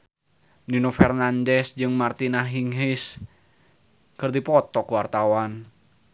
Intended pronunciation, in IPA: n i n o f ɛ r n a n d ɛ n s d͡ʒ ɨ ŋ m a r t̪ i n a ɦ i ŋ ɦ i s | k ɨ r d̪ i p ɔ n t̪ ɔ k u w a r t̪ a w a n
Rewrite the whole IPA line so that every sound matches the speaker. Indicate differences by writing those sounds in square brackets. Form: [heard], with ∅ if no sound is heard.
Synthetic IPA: n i n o f ɛ r n a n d ɛ [∅] s d͡ʒ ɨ ŋ m a r t̪ i n a ɦ i ŋ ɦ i s | k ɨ r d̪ i p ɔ [∅] t̪ ɔ k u w a r t̪ a w a n